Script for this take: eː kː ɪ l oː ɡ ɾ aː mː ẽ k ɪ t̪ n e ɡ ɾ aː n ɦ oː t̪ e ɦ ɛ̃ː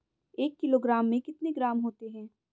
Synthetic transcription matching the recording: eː kː ɪ l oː ɡ ɾ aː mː ẽ k ɪ t̪ n e ɡ ɾ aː m ɦ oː t̪ e ɦ ɛ̃ː